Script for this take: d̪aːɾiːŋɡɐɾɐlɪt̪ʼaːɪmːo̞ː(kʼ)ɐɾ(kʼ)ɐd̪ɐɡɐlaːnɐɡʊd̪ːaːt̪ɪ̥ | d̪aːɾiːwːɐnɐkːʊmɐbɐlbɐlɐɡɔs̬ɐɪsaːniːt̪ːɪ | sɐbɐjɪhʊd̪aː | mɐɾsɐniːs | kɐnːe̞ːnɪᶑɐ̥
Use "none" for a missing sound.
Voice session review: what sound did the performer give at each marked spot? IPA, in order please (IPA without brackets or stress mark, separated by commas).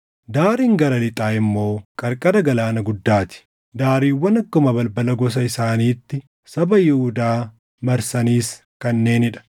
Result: kʼ, kʼ